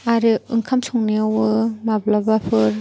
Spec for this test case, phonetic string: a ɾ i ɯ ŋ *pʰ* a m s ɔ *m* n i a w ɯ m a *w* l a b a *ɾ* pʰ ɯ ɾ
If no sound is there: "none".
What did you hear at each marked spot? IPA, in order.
kʰ, ŋ, b, none

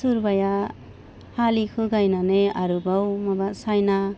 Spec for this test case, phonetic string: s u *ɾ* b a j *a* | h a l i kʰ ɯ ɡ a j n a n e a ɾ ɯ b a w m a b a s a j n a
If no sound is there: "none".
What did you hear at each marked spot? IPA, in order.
ɾ, a

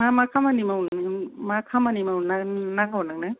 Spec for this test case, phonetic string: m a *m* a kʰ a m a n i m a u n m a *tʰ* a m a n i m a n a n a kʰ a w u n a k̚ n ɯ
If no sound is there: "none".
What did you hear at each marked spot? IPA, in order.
m, kʰ

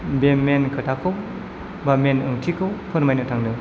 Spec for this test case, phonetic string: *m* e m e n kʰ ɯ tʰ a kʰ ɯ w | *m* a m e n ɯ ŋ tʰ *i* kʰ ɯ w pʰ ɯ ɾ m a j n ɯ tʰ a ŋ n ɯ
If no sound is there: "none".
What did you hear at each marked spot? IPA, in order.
b, b, i

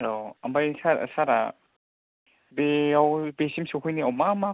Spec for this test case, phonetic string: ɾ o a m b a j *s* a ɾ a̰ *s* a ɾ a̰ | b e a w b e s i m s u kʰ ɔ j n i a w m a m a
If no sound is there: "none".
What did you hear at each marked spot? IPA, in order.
s, s

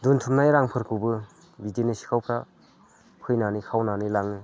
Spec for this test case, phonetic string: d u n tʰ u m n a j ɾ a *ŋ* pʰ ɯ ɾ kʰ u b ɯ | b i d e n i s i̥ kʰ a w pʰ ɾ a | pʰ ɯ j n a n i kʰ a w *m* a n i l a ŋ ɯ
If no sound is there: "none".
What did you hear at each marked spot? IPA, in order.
ŋ, n

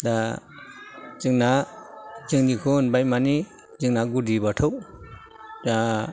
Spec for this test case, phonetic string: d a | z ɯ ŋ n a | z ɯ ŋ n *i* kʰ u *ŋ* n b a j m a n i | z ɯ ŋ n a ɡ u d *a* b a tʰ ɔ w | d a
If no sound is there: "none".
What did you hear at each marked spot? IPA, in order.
i, none, i

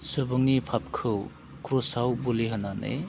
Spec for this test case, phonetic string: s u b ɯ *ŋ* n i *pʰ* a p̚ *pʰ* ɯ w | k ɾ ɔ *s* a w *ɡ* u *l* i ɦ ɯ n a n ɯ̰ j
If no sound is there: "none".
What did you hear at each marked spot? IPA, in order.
ŋ, pʰ, kʰ, s, b, l

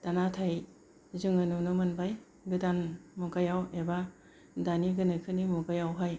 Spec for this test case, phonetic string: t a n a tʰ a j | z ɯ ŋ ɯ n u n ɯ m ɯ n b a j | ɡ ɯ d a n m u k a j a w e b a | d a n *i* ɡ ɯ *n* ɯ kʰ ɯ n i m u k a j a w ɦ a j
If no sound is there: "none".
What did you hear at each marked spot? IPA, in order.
i, n

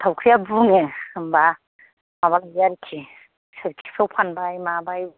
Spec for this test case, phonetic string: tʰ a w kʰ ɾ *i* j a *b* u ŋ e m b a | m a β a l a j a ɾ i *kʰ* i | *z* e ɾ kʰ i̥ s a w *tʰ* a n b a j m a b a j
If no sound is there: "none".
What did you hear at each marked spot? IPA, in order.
i, b, kʰ, s, pʰ

